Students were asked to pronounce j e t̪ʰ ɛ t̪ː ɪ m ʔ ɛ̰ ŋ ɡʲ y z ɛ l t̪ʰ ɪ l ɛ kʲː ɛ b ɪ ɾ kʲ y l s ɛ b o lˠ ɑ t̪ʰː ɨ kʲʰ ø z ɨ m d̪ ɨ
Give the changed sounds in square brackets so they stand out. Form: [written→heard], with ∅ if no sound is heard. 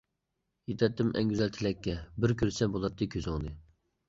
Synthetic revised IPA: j e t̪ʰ ɛ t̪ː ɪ m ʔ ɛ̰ ŋ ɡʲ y z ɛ l t̪ʰ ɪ l ɛ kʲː ɛ b ɪ ɾ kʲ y [l→ɾ] s ɛ b o lˠ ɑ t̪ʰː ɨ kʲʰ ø z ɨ [m→ŋ] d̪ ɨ